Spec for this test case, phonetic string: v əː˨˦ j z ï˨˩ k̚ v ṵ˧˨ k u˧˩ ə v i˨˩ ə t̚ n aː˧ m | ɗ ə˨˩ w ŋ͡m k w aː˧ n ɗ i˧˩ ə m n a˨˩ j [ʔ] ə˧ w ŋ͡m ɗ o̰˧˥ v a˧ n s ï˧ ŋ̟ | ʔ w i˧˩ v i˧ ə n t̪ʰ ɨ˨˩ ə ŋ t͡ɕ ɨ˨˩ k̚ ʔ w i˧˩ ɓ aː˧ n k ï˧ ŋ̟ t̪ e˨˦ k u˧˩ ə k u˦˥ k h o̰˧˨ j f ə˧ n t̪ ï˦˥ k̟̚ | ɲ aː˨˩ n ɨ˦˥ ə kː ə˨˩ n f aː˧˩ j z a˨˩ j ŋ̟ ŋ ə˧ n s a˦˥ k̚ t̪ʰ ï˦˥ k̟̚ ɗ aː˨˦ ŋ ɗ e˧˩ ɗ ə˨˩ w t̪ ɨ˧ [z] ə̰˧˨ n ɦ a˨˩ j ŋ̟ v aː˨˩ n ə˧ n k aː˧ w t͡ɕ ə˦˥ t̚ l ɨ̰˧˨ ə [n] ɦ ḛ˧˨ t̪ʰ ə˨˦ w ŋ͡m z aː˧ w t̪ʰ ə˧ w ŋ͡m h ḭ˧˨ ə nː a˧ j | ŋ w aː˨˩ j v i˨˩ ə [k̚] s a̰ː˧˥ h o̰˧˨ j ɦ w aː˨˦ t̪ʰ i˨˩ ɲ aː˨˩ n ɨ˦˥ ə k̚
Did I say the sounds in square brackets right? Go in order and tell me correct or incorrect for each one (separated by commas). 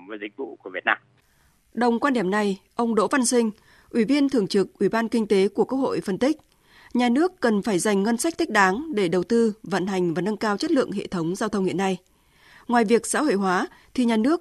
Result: correct, incorrect, incorrect, correct